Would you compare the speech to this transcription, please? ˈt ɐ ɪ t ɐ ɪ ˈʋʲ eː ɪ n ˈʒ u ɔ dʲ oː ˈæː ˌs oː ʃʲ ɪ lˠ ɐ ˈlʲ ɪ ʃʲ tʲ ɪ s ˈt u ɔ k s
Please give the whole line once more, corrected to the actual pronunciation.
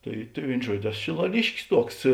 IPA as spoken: ˈt ɐ ɪ t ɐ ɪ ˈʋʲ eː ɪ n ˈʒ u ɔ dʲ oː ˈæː ˌs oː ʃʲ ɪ lˠ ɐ ˈlʲ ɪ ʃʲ kʲ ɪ s ˈt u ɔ k s